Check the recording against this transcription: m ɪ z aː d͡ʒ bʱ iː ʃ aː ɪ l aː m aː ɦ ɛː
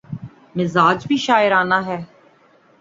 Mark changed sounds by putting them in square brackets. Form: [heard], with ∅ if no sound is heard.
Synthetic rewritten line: m ɪ z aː d͡ʒ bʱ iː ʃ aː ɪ [ɾ] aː [n] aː ɦ ɛː